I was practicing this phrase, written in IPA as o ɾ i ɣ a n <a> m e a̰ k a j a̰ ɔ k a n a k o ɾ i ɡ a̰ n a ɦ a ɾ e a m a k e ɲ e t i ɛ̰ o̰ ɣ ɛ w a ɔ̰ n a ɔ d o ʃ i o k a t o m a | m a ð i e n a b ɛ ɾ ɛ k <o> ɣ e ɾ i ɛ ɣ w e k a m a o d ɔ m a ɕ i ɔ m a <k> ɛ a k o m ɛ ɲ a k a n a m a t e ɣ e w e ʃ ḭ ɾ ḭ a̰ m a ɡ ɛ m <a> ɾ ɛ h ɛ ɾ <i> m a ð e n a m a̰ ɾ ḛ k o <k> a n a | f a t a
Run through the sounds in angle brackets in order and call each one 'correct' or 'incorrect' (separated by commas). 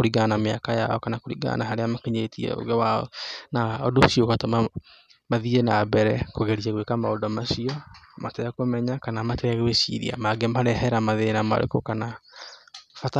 correct, correct, incorrect, correct, incorrect, correct